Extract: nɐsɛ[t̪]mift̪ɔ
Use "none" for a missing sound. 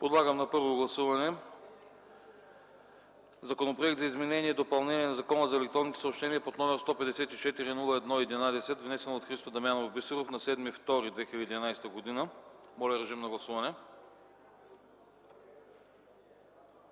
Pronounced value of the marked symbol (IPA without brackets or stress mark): d̪